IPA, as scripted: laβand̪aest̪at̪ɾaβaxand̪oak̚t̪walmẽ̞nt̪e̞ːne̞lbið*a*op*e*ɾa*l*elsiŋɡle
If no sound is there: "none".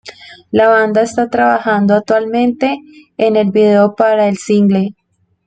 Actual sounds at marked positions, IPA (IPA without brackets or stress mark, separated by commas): e, a, none